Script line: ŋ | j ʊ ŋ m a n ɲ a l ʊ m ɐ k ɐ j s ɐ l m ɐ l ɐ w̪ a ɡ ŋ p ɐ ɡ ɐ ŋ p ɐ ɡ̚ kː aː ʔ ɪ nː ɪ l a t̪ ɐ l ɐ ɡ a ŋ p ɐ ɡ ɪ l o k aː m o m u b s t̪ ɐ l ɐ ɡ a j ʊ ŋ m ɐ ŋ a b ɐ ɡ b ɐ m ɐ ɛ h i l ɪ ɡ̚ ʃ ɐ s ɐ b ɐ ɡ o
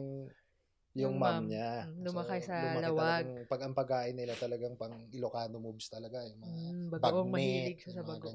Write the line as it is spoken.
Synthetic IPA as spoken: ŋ | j ʊ ŋ m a m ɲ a l ʊ m ɐ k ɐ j s ɐ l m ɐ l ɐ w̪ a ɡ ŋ p ɐ ɡ ɐ ŋ p ɐ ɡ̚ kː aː ʔ ɪ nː ɪ l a t̪ ɐ l ɐ ɡ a ŋ p ɐ ŋ ɪ l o k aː n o m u b s t̪ ɐ l ɐ ɡ a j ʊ ŋ m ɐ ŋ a b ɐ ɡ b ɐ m ɐ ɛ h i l ɪ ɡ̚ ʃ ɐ s ɐ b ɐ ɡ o